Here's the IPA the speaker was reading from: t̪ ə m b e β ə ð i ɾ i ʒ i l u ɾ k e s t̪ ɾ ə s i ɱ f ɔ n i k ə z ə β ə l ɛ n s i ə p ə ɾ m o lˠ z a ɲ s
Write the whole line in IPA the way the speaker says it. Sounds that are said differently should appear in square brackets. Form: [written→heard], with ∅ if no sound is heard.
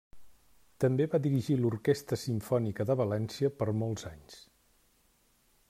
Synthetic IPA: t̪ ə m b e β [ə→a] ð i ɾ i ʒ i l u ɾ k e s t̪ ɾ ə s i ɱ f ɔ n i k ə [z→ð] ə β ə l ɛ n s i ə p ə ɾ m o lˠ z a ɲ s